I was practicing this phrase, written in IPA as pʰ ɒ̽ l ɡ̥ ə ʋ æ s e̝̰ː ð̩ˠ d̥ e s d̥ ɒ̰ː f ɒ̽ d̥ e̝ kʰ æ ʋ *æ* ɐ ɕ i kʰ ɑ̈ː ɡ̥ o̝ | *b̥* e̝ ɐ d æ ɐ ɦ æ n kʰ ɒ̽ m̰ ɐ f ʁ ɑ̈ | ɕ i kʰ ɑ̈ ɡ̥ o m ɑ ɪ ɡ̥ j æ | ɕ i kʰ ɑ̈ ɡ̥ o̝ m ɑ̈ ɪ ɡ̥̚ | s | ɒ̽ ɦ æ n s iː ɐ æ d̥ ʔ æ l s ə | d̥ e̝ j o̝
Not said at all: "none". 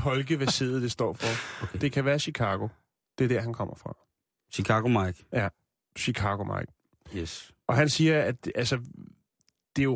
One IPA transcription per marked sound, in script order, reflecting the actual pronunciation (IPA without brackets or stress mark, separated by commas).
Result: æː, d̥